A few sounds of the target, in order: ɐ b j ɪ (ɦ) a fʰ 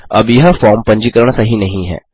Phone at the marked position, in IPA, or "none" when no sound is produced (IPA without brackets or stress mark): ɦ